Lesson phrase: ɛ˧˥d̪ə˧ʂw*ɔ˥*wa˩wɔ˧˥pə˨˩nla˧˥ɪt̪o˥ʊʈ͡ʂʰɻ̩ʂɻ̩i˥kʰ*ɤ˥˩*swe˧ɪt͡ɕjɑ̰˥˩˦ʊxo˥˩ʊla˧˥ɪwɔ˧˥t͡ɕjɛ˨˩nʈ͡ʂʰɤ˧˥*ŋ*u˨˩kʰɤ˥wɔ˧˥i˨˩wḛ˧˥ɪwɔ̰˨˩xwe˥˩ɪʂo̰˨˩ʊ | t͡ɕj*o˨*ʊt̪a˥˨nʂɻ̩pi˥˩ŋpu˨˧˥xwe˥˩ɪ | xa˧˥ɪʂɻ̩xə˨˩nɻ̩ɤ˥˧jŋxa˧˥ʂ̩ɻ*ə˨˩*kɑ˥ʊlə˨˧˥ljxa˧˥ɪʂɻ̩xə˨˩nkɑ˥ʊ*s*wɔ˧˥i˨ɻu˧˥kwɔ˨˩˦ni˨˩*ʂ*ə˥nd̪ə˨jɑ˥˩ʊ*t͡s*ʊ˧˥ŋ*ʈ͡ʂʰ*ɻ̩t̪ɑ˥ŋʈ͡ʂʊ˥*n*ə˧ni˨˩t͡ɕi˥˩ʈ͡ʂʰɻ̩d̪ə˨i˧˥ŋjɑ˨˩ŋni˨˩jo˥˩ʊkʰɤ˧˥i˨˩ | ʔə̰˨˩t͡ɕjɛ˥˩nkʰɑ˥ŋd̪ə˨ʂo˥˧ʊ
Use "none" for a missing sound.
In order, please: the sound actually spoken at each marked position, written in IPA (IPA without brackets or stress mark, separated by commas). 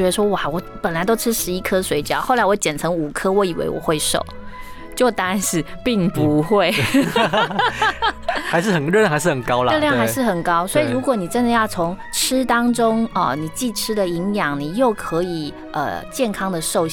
ɔ˥, ɤ˥, ŋ, o˥˩, ə˨˩, s, ʈ͡ʂ, t͡sʰ, ʈ͡ʂʰ, ŋ